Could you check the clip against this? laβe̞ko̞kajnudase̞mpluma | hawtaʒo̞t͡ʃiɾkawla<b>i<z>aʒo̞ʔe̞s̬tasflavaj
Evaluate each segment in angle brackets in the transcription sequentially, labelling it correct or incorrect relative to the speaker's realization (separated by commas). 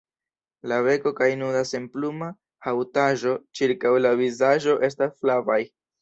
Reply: incorrect, correct